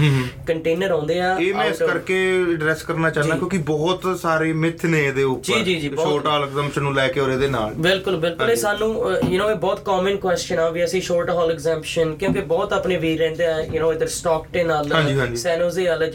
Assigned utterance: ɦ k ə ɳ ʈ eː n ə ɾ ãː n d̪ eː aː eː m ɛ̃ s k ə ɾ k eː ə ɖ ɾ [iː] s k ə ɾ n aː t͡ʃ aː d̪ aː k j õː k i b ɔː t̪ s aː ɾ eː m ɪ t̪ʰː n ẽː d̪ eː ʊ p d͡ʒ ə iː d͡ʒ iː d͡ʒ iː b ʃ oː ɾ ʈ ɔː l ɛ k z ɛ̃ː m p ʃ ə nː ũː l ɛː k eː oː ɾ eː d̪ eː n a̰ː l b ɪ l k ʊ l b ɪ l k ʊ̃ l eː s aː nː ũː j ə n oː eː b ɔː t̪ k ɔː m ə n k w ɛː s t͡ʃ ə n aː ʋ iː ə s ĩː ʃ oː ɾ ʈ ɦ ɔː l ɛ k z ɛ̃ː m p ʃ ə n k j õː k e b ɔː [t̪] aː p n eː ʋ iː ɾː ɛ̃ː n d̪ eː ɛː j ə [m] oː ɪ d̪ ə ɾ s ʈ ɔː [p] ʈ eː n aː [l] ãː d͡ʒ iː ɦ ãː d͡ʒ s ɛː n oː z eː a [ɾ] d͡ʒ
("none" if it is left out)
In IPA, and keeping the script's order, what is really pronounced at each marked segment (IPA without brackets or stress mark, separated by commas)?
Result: ɛː, t̪, n, k, l, l